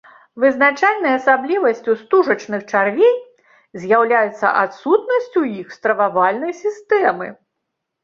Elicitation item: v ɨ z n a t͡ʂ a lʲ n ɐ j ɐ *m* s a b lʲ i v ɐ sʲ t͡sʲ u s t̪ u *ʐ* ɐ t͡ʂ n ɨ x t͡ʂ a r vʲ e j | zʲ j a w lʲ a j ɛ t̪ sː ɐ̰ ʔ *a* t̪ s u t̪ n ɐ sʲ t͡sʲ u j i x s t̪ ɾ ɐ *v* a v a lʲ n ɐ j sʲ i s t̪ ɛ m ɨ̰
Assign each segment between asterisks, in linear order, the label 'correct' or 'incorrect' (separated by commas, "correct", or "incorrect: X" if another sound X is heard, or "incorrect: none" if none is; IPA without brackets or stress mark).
incorrect: none, correct, correct, correct